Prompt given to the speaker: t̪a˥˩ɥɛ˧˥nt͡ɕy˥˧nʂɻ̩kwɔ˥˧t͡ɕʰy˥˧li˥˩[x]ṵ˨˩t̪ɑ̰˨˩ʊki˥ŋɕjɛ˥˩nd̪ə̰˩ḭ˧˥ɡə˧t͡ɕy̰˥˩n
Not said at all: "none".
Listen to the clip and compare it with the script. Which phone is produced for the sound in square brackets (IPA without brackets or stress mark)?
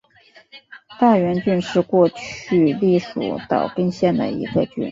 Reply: ʂ